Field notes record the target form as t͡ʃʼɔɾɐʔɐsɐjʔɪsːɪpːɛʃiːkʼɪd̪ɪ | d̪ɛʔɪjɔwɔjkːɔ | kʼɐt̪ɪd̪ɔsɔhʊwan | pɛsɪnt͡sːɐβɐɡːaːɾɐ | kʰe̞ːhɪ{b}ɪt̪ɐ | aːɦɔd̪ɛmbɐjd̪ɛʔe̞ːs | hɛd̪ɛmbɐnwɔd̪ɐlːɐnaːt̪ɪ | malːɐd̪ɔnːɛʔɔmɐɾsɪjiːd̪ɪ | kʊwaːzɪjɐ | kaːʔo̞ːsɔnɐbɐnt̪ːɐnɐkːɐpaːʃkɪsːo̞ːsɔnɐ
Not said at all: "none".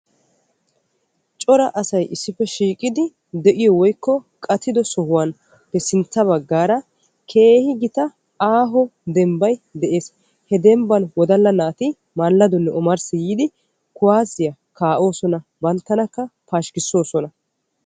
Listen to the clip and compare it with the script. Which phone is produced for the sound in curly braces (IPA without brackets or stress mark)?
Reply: ɡ